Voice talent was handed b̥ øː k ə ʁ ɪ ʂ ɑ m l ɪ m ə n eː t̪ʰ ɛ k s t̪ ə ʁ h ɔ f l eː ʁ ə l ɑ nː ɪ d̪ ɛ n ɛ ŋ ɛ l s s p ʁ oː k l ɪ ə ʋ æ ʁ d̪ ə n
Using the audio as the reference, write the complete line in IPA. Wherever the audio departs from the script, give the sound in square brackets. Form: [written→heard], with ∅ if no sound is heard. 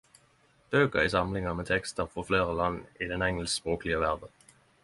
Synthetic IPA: b̥ øː k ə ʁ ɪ [ʂ→s] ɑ m l ɪ [m→ŋ] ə [n→m] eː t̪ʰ ɛ k s t̪ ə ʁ [h→f] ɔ f l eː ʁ ə l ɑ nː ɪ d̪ ɛ n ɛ ŋ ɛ l s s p ʁ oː k l ɪ ə ʋ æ ʁ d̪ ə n

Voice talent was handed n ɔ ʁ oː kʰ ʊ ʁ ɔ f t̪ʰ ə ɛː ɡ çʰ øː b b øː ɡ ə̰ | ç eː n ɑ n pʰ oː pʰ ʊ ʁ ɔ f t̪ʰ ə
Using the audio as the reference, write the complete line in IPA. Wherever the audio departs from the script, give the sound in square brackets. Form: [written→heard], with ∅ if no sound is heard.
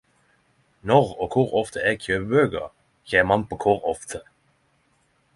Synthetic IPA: n ɔ ʁ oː kʰ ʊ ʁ ɔ f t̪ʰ ə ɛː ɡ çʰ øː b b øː ɡ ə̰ | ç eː [n→m] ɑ n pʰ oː [pʰ→kʰ] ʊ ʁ ɔ f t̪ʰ ə

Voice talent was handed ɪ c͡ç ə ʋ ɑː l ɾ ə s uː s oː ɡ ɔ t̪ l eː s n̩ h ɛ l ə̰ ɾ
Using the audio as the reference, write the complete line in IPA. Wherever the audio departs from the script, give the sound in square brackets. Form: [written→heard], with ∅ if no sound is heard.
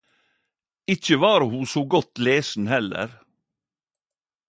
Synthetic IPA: ɪ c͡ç ə ʋ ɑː [l→∅] ɾ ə [s→h] uː s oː ɡ ɔ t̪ l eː s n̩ h ɛ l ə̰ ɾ

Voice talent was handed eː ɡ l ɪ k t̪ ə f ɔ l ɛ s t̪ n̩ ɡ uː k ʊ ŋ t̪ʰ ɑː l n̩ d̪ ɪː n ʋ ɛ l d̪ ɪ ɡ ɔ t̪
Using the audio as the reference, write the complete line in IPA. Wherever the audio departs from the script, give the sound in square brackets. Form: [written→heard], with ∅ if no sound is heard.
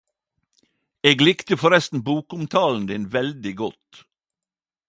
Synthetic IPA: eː ɡ l ɪ k t̪ ə f ɔ [l→ɾ] ɛ s t̪ n̩ [ɡ→b] uː k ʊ [ŋ→m] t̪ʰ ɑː l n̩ d̪ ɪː n ʋ ɛ l d̪ ɪ ɡ ɔ t̪

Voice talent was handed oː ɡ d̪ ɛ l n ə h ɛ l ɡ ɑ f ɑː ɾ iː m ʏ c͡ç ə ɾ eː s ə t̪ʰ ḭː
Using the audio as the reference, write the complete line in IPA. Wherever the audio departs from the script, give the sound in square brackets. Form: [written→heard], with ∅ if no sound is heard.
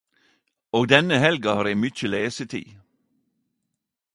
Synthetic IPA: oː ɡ d̪ ɛ [l→∅] n ə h ɛ l ɡ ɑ [f→h] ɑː ɾ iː m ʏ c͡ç ə [ɾ→l] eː s ə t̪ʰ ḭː

